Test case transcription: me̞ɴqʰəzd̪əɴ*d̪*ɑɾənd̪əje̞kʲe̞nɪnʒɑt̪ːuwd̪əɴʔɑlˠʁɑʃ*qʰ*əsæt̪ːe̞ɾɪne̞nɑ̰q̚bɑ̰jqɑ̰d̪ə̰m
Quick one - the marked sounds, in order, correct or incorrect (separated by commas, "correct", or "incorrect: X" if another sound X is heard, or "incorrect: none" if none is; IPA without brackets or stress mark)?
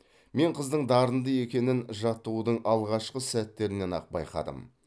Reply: correct, incorrect: q